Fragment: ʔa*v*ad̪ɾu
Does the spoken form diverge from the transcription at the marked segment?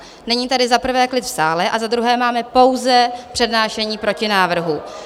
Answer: yes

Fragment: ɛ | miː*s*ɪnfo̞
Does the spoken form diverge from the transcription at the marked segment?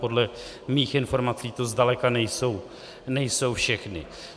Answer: yes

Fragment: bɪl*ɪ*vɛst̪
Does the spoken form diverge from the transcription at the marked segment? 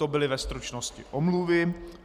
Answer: no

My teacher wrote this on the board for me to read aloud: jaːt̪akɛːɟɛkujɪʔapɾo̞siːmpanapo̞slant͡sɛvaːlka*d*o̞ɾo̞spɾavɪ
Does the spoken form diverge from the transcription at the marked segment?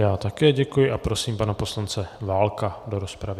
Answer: no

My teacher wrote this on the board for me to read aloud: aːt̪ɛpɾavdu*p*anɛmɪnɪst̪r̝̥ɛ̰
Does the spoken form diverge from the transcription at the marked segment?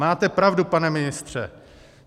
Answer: no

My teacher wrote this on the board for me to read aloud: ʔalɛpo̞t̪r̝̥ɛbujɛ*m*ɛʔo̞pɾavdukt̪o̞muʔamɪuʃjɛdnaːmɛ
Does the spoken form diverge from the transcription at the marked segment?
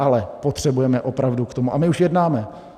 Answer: no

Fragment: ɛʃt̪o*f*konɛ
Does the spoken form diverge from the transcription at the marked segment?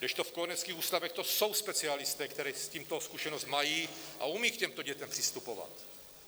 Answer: no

